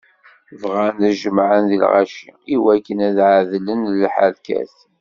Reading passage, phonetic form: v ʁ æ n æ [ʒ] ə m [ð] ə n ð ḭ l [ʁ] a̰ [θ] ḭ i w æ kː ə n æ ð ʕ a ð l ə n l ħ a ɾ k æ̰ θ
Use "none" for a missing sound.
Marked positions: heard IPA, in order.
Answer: ʒ, ʕ, ʁ, ʃ

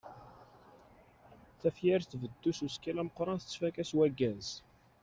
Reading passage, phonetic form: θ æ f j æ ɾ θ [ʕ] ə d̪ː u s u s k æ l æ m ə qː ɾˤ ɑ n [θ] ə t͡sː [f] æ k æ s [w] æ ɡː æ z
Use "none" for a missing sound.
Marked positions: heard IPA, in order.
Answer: v, θ, f, w

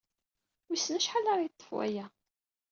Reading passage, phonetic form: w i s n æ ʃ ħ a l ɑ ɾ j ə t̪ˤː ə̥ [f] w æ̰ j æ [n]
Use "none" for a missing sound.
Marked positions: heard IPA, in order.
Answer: f, none

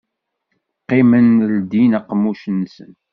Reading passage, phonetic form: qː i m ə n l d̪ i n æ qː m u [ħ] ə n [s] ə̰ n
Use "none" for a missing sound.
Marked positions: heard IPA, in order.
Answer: ʃ, s

